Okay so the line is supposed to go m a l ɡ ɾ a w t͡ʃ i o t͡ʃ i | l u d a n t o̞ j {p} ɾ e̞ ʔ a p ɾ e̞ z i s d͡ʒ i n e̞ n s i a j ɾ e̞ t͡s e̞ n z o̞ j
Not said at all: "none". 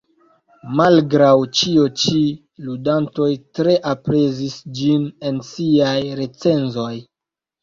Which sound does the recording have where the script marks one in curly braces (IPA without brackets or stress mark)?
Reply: t